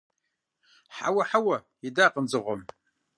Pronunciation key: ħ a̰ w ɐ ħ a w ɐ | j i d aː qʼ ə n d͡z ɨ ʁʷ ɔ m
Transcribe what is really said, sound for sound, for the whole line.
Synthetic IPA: ħ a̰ w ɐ ħ a w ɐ | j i d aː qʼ ə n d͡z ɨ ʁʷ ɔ m